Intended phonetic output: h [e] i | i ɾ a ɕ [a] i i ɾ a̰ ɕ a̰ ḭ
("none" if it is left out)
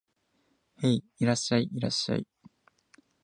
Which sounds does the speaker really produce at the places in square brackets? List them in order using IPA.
e, a

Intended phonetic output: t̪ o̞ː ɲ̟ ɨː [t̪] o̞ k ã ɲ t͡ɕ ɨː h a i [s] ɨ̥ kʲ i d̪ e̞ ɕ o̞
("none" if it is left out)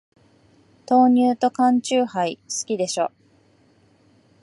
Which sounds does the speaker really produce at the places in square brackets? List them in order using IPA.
t̪, s

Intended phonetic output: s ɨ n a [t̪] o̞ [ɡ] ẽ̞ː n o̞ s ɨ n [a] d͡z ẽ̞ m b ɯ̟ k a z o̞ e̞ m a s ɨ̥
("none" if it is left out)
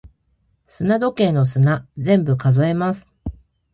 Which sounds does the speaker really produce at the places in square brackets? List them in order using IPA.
d̪, k, a

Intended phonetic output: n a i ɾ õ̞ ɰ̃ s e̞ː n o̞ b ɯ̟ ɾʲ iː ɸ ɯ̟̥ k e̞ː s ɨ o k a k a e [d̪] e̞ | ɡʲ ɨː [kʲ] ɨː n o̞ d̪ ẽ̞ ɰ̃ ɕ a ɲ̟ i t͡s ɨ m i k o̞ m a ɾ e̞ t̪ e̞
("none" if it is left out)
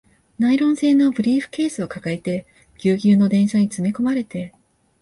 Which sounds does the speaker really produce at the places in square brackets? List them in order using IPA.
t̪, ɡʲ

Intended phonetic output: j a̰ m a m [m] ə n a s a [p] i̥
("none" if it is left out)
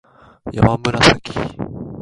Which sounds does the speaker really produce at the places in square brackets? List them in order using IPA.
b, k

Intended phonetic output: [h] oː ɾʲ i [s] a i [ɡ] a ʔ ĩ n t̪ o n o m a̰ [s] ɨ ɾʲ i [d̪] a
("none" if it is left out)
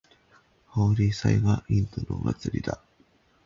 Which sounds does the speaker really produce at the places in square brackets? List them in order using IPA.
h, s, ɡ, t͡s, d̪

